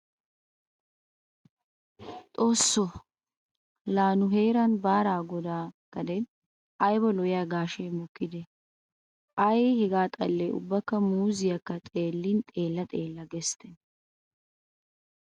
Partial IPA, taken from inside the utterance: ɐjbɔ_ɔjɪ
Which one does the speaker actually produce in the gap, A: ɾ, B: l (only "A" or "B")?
B